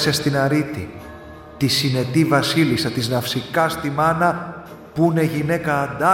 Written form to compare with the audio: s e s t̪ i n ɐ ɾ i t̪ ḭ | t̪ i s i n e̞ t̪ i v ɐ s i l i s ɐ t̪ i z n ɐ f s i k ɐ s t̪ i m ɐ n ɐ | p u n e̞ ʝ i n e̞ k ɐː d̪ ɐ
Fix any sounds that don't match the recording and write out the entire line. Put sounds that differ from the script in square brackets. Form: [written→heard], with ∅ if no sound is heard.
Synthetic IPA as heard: s e s t̪ i n ɐ ɾ i t̪ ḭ | t̪ i s i n e̞ t̪ i v ɐ s i l i s ɐ t̪ i z n ɐ f s i k ɐ s t̪ i m ɐ n ɐ | p u n e̞ ʝ i n e̞ k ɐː d̪ ɐ